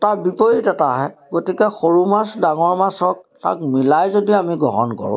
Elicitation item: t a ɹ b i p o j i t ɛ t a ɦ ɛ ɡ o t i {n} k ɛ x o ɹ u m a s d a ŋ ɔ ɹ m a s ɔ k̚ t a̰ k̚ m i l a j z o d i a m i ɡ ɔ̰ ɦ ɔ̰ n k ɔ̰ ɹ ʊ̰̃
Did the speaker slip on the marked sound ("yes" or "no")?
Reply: yes